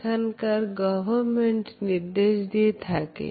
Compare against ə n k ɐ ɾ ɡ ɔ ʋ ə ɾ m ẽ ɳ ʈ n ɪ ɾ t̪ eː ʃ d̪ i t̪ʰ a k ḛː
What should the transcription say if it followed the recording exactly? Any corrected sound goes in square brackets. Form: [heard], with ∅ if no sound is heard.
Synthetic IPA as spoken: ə n k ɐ ɾ ɡ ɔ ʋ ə ɾ m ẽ ɳ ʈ n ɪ ɾ [d̪] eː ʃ d̪ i t̪ʰ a k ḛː